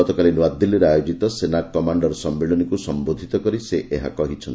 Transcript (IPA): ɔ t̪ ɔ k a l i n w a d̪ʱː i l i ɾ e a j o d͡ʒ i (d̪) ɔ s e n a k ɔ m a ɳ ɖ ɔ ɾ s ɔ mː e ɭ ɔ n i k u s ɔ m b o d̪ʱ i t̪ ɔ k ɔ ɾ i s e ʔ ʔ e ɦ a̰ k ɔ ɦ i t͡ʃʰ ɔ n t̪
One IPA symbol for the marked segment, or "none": t̪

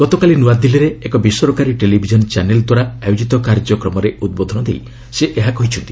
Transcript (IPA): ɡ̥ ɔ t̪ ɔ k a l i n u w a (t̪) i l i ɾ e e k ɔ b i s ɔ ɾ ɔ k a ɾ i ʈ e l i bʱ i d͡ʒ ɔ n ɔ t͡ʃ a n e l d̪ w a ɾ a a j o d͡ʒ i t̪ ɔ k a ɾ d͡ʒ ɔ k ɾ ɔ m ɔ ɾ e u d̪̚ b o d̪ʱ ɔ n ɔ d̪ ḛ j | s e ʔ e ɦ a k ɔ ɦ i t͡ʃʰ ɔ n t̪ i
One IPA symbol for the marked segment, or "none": d̪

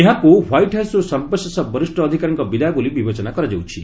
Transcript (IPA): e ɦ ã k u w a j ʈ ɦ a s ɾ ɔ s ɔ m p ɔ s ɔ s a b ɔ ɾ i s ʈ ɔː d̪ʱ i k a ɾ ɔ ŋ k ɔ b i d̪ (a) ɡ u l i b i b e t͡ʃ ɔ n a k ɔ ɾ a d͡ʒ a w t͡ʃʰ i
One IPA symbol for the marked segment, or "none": a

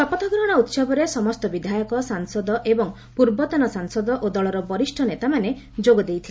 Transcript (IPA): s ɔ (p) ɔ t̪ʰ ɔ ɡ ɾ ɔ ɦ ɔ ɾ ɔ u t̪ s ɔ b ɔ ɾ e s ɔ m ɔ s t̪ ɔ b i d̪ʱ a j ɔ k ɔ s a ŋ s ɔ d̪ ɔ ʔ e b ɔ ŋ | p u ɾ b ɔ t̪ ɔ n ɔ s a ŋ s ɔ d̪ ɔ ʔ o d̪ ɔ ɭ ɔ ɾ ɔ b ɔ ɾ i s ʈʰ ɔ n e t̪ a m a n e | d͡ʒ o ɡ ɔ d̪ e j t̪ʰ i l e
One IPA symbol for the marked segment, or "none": p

